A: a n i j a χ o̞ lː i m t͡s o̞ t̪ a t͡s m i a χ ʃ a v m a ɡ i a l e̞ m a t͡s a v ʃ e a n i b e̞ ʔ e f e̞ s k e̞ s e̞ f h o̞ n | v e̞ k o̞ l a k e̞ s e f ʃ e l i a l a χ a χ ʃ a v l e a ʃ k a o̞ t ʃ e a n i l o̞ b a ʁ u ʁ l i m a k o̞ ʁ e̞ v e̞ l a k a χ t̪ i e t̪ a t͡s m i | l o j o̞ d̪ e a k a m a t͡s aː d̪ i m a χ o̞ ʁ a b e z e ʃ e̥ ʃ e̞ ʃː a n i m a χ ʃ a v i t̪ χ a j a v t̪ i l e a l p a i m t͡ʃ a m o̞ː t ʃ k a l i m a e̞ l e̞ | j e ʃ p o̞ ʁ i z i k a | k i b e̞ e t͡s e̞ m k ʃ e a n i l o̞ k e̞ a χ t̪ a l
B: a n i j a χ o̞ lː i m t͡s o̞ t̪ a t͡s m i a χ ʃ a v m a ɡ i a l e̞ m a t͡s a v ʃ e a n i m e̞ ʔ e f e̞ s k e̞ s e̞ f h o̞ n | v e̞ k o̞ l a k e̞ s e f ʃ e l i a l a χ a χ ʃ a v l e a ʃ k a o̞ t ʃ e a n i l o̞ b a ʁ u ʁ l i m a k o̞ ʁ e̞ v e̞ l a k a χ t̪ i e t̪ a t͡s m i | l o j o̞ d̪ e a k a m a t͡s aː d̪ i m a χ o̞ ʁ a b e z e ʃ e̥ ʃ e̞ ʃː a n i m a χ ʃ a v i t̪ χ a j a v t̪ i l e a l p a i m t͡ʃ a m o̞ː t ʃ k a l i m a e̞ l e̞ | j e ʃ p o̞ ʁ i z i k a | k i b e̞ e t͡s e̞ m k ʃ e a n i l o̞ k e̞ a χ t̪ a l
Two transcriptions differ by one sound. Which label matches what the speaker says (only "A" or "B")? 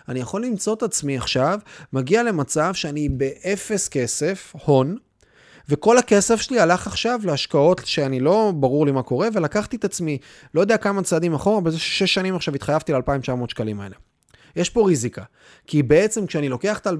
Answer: A